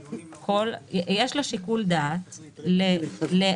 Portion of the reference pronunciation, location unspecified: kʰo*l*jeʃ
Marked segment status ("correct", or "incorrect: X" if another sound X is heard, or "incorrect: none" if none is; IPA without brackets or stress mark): correct